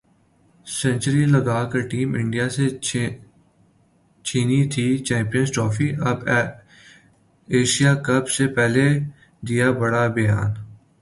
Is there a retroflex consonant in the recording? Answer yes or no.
yes